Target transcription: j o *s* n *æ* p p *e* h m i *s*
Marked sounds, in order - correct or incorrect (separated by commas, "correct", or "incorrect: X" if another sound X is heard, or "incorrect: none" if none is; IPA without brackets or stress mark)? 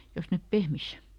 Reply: correct, incorrect: e, correct, correct